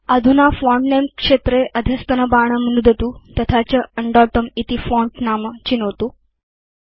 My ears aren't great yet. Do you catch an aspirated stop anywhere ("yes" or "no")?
yes